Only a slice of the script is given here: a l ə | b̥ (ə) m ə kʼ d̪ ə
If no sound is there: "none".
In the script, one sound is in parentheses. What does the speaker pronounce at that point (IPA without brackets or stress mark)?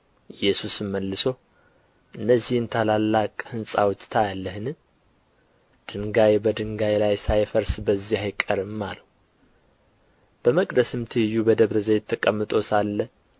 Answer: ə